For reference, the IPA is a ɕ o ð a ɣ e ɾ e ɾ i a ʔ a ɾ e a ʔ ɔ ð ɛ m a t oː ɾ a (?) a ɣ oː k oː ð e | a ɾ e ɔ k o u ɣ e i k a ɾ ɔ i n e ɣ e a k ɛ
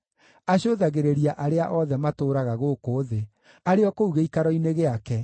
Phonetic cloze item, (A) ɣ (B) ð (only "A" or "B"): A